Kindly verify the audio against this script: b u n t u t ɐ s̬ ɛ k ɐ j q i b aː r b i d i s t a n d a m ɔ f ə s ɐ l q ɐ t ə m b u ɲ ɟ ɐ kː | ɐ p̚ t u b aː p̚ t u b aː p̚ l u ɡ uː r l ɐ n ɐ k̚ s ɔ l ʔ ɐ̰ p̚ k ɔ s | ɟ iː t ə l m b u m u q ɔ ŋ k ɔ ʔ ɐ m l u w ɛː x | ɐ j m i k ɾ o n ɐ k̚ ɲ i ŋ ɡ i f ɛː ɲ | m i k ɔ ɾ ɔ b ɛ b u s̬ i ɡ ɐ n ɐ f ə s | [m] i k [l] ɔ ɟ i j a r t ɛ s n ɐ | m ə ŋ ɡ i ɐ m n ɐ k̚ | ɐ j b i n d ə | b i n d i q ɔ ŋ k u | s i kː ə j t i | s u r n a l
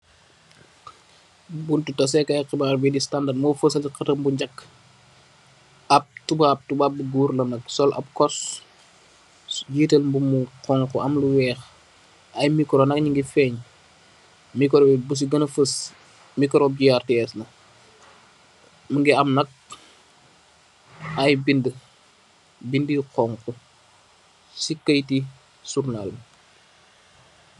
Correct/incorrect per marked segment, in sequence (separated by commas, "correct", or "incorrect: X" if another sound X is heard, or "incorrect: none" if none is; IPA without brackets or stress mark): correct, incorrect: ɾ